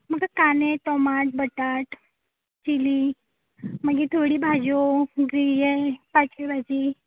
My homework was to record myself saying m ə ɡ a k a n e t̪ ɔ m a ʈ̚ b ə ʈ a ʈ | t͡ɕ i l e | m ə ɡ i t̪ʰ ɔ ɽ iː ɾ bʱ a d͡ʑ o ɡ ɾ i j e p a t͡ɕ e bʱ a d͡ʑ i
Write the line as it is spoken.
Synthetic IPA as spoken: m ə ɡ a k a n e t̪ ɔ m a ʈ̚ b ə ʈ a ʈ | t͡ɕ i l i | m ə ɡ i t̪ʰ o ɽ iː bʱ a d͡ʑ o ɡ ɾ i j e p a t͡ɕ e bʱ a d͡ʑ i